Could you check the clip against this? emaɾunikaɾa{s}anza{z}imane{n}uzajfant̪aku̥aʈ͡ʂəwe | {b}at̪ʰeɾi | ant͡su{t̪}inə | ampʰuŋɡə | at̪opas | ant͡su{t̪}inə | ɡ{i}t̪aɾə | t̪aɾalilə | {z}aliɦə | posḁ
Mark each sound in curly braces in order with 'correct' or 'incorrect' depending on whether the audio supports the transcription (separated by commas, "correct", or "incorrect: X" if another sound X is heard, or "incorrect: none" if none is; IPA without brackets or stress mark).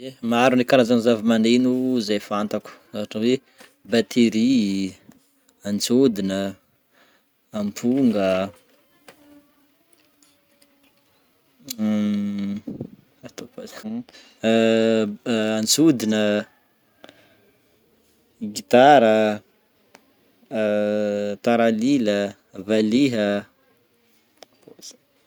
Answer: incorrect: z, incorrect: v, correct, correct, incorrect: d̪, incorrect: d̪, correct, incorrect: v